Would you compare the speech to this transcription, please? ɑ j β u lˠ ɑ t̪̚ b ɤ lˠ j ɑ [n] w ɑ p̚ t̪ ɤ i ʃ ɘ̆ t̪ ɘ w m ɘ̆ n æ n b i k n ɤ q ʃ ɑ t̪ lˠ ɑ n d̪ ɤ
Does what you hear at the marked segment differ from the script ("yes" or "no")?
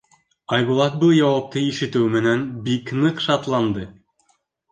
yes